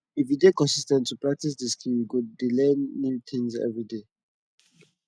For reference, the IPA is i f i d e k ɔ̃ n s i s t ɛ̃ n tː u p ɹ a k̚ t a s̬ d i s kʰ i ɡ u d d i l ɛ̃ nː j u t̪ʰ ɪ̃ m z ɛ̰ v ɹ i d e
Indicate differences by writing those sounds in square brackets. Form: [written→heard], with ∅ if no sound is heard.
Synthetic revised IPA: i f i d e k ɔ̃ n s i s t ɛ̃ n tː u p ɹ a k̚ t [a→i] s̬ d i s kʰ i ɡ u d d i l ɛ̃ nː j u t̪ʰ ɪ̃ [m→ŋ] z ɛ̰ v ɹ i d e